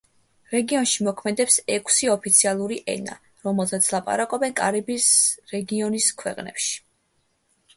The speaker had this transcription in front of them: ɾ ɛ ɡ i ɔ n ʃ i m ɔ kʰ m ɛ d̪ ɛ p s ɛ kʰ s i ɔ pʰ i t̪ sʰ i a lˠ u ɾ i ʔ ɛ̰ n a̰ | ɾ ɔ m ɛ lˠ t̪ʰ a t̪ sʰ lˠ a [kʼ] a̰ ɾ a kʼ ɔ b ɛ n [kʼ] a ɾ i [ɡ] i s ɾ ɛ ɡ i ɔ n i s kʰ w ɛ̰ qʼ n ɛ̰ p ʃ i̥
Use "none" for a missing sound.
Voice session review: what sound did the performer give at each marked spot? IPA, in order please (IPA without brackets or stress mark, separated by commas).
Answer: pʼ, kʼ, b